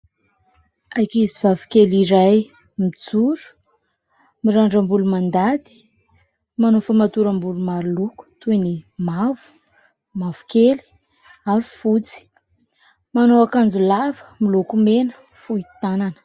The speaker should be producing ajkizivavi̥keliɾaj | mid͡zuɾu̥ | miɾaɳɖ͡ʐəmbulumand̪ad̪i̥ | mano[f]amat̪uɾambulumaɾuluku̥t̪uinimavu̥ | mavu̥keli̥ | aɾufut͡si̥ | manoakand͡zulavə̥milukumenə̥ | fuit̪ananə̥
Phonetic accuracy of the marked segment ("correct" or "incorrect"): correct